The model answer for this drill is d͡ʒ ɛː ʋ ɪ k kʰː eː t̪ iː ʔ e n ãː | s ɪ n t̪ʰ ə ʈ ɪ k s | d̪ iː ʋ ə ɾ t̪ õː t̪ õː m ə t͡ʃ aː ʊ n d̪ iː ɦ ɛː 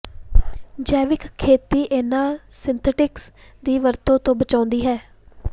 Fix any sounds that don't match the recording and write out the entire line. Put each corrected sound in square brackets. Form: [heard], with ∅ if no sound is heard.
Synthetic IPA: d͡ʒ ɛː ʋ ɪ k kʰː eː t̪ iː ʔ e n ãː | s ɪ n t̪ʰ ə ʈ ɪ k s | d̪ iː ʋ ə ɾ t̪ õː t̪ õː [b] ə t͡ʃ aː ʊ n d̪ iː ɦ ɛː